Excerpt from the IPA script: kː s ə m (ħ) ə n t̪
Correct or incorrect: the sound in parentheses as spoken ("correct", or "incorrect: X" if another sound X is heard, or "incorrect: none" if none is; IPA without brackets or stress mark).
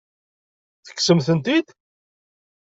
incorrect: θ